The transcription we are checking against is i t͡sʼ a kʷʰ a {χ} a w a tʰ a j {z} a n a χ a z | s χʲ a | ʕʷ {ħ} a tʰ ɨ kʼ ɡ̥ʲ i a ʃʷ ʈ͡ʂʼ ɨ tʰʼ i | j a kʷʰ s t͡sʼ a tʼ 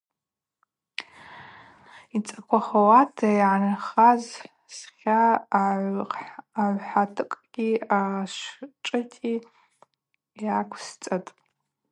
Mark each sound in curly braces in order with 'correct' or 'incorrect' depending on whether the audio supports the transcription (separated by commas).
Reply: correct, incorrect, correct